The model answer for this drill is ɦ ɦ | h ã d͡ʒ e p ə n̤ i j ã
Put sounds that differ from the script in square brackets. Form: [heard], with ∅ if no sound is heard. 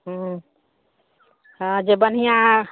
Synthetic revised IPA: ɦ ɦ | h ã d͡ʒ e [b] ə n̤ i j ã

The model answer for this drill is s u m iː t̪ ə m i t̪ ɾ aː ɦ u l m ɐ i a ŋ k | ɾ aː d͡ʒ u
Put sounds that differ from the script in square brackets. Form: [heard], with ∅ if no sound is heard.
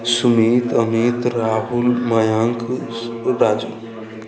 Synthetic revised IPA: s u m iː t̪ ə m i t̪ ɾ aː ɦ u l m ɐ [j] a ŋ k | ɾ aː d͡ʒ u

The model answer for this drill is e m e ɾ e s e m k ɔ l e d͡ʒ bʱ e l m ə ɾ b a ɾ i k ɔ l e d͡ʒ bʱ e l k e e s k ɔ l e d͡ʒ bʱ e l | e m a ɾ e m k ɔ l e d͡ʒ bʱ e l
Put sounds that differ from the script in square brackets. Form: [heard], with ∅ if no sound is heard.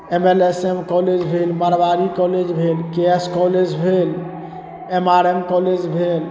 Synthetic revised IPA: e m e [l] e s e m k ɔ l e d͡ʒ bʱ e l m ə ɾ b a ɾ i k ɔ l e d͡ʒ bʱ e l k e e s k ɔ l e d͡ʒ bʱ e l | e m a ɾ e m k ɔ l e d͡ʒ bʱ e l

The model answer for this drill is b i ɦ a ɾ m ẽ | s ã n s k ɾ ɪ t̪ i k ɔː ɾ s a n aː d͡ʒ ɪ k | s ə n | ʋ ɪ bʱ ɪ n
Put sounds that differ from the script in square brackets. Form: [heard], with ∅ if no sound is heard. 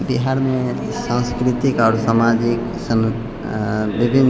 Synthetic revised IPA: b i ɦ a ɾ m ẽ | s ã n s k ɾ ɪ t̪ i k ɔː ɾ s a [m] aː d͡ʒ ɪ k | s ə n | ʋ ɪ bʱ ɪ n

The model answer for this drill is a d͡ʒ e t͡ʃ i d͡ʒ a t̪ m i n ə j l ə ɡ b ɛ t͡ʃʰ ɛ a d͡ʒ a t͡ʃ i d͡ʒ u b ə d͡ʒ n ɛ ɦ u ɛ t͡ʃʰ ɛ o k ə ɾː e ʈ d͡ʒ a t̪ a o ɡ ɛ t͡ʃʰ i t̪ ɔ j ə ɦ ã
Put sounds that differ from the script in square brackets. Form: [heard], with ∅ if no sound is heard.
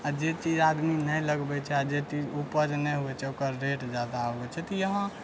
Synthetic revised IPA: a d͡ʒ e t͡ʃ i d͡ʒ a [d̪] m i n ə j l ə ɡ b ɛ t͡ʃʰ ɛ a d͡ʒ [e] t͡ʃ i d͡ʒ u [p] ə d͡ʒ n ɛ ɦ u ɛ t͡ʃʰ ɛ o k ə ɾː e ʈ d͡ʒ a [d̪] a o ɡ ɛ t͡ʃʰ [ɛ] t̪ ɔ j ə ɦ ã

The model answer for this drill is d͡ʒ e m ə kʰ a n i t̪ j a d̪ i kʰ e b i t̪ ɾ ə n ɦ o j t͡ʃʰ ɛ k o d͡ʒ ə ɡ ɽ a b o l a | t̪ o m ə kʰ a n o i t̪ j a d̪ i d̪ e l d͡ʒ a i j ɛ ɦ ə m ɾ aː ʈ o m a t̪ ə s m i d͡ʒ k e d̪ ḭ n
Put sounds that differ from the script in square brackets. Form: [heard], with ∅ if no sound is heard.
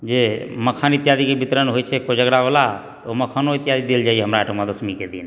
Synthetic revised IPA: d͡ʒ e m ə kʰ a n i t̪ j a d̪ i [k] e b i t̪ ɾ ə n ɦ o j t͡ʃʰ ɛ k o d͡ʒ ə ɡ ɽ a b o l a | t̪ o m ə kʰ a n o i t̪ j a d̪ i d̪ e l d͡ʒ a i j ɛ ɦ ə m ɾ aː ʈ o m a [d̪] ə s m i [∅] k e d̪ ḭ n

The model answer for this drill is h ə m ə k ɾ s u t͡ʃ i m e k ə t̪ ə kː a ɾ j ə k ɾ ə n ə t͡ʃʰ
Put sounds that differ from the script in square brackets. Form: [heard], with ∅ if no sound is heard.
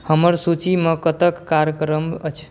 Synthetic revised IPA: h ə m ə [∅] ɾ s u t͡ʃ i m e k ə t̪ ə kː a ɾ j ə k ɾ ə [m] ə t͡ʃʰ

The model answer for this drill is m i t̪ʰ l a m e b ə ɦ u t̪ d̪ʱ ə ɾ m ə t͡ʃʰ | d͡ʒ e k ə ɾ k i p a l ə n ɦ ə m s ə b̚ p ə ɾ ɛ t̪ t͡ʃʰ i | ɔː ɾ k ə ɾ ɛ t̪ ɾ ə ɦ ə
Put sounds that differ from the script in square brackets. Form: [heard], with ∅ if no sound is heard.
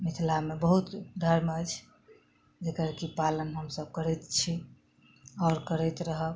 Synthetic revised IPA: m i t̪ʰ l a m e b ə ɦ u t̪ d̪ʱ ə ɾ m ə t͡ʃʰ | d͡ʒ e k ə ɾ k i p a l ə n ɦ ə m s ə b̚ [k] ə ɾ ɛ t̪ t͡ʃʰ i | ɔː ɾ k ə ɾ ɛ t̪ ɾ ə ɦ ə

